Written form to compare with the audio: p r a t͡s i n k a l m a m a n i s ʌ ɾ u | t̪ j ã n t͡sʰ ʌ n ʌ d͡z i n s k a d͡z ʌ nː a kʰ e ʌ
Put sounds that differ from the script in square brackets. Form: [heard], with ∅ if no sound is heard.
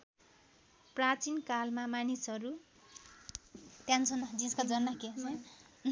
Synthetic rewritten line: p r a t͡s i n k a l m a m a n i s ʌ ɾ u | t̪ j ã n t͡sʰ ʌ n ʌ d͡z i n s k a d͡z ʌ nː a [k] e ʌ